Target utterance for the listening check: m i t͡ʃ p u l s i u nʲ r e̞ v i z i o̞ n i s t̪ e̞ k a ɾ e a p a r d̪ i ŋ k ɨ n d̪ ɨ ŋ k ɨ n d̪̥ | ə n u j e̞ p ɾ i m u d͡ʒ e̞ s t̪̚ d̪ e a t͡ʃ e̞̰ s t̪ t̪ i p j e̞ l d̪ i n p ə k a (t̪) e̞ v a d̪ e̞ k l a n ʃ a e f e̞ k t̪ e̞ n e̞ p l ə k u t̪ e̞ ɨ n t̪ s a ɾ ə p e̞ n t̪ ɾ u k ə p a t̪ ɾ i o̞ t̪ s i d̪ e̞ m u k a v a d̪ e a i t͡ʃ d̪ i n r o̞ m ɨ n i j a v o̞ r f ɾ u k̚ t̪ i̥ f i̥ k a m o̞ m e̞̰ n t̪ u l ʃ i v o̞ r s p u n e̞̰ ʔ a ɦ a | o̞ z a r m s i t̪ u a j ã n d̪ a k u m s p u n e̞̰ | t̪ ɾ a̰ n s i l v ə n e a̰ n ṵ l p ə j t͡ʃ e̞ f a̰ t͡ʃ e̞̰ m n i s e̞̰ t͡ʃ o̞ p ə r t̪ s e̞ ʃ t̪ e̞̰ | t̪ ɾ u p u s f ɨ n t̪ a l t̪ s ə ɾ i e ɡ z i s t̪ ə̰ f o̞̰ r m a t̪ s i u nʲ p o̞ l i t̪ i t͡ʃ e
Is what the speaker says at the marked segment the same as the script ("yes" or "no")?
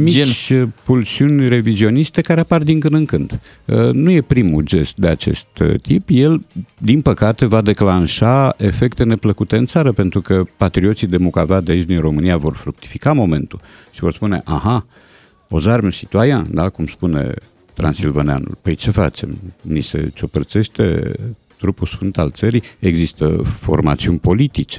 yes